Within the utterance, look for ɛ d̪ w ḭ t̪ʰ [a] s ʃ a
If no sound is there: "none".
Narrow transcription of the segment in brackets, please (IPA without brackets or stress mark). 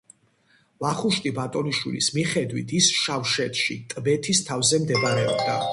i